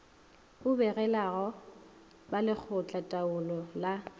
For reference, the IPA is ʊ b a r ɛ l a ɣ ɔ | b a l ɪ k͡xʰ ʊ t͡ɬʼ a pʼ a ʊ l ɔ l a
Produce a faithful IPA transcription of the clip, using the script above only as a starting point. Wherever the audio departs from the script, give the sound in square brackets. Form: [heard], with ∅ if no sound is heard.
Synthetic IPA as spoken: ʊ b [ɛ] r ɛ l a ɣ ɔ | b a l ɪ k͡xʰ ʊ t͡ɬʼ a [tʼ] a ʊ l ɔ l a